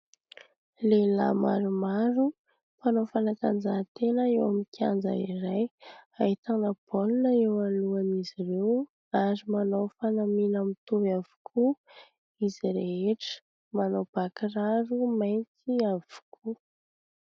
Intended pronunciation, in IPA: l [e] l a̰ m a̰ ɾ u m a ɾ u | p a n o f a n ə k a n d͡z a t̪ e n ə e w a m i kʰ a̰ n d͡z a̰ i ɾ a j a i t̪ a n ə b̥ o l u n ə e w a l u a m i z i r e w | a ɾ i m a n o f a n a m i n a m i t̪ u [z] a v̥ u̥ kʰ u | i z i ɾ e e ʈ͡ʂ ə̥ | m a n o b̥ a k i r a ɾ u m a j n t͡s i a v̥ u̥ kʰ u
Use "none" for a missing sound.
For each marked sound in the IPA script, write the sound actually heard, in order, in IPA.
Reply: e, v

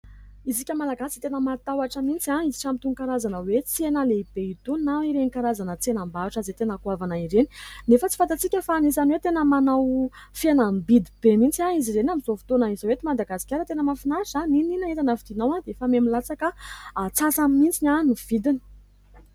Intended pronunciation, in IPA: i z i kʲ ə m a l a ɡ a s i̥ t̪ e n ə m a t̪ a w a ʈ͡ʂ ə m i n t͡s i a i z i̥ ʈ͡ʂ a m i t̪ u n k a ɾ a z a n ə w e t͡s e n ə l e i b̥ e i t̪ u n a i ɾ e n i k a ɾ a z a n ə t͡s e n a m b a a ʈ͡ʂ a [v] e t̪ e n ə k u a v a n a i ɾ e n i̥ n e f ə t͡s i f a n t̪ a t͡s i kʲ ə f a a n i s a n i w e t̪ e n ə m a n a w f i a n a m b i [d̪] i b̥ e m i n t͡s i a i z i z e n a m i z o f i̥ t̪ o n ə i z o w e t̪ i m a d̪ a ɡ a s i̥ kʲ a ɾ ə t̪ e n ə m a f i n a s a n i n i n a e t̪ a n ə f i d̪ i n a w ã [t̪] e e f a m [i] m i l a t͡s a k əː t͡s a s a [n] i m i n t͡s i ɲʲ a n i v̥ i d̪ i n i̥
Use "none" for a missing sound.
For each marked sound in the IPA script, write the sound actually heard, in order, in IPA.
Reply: z, d̪, d̪, e, m

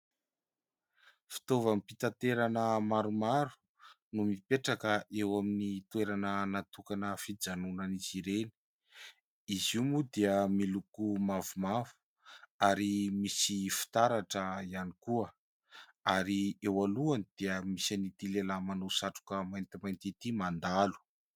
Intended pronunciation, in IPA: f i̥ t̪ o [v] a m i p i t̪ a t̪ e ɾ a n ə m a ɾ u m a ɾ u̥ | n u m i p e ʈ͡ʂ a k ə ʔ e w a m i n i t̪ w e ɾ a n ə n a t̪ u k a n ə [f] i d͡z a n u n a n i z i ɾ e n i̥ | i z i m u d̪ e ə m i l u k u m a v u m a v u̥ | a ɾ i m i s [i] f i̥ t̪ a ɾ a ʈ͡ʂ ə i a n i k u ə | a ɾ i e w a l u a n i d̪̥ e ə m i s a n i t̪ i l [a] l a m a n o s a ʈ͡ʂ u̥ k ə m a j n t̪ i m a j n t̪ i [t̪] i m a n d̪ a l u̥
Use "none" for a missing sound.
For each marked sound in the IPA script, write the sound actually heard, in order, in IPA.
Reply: v, f, i, e, t̪

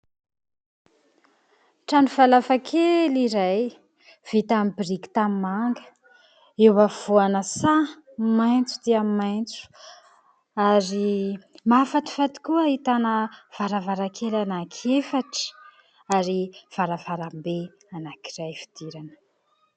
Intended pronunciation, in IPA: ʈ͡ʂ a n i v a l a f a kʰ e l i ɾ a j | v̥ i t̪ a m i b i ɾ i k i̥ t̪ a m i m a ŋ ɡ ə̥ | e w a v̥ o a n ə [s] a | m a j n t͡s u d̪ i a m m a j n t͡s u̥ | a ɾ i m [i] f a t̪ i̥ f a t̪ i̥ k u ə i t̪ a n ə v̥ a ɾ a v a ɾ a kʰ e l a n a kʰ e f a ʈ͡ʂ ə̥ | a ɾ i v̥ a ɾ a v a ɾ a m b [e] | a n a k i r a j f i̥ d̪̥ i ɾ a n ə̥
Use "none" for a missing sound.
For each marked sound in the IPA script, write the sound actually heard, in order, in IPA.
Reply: s, a, e

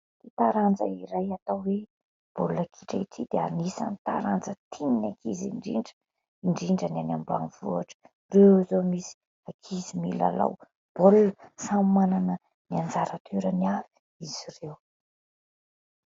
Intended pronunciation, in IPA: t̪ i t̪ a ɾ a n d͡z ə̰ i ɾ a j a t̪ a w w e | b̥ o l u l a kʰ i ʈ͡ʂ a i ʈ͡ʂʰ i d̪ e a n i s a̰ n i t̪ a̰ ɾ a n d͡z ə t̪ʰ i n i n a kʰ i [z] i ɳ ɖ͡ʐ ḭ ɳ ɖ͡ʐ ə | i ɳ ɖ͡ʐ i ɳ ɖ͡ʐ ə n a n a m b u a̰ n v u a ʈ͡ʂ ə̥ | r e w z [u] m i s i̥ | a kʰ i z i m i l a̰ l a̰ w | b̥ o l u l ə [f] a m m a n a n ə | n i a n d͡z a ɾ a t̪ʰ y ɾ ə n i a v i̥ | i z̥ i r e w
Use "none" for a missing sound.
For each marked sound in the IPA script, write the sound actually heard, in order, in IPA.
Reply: z, o, s

